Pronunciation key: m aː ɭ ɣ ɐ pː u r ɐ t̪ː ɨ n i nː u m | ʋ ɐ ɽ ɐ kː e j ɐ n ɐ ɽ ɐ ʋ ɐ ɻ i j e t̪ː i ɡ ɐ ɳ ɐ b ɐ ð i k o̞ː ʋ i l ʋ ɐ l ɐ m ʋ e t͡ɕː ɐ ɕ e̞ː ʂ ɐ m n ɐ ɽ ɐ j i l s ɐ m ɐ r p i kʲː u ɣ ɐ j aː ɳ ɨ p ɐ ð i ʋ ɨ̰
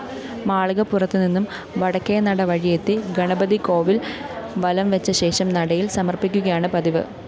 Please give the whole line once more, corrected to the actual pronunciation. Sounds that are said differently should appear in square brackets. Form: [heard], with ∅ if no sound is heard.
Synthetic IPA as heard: m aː ɭ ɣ ɐ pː u r ɐ t̪ː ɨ n i nː u m | ʋ ɐ ɽ ɐ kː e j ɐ n ɐ ɽ ɐ ʋ ɐ ɻ i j e t̪ː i ɡ ɐ ɳ ɐ b ɐ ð i k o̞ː ʋ i l ʋ ɐ l ɐ m ʋ e t͡ɕː ɐ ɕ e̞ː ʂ ɐ m n ɐ ɽ ɐ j i l s ɐ m ɐ r p i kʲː u ɣ ɐ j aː ɳ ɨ p ɐ ð i ʋ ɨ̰